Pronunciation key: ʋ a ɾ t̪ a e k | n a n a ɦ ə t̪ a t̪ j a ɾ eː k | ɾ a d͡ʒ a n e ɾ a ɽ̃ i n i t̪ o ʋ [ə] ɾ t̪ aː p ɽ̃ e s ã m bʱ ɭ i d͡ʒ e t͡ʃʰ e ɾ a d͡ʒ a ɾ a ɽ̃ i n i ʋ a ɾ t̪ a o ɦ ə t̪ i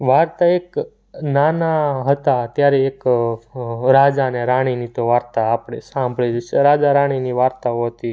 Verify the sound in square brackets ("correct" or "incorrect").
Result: incorrect